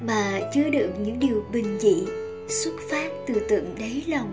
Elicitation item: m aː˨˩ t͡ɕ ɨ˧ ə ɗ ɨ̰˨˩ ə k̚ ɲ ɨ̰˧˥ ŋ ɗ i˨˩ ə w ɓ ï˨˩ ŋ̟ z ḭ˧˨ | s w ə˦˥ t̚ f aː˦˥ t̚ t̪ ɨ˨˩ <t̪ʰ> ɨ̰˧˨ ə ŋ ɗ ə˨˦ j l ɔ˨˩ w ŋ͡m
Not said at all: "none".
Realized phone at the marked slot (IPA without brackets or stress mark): t̪